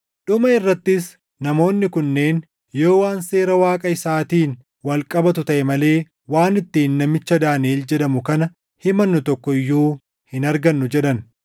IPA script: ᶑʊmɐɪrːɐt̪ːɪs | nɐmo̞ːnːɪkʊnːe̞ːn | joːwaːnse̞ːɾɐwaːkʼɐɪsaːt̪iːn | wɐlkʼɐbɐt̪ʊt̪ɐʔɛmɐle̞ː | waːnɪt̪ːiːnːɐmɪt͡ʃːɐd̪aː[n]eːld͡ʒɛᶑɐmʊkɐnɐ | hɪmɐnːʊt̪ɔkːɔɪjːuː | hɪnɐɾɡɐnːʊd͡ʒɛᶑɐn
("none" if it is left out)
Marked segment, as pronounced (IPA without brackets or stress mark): n